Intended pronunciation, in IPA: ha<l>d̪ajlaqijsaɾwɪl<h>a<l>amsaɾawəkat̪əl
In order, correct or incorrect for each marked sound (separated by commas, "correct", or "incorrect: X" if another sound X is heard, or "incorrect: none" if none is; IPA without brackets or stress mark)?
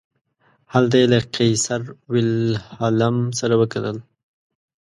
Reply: correct, correct, correct